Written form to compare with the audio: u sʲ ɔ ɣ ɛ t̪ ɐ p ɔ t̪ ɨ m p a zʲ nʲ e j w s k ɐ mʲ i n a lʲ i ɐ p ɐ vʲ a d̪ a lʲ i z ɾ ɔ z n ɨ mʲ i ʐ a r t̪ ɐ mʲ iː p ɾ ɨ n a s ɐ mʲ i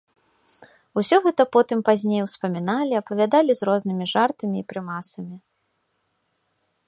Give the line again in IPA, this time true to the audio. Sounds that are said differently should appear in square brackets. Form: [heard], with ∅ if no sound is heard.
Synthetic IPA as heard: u sʲ ɔ ɣ ɛ t̪ ɐ p ɔ t̪ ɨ m p a zʲ nʲ e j w s [p] ɐ mʲ i n a lʲ i ɐ p ɐ vʲ a d̪ a lʲ i z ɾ ɔ z n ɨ mʲ i ʐ a r t̪ ɐ mʲ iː p ɾ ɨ [m] a s ɐ mʲ i